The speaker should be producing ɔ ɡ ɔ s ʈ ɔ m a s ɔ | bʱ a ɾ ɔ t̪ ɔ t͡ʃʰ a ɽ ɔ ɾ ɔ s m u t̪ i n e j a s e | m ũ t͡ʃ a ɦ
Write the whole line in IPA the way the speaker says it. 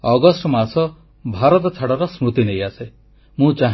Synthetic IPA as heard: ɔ ɡ ɔ s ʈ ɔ m a s ɔ | bʱ a ɾ ɔ t̪ ɔ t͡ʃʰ a ɽ ɔ ɾ ɔ s m u t̪ i n e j a s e | m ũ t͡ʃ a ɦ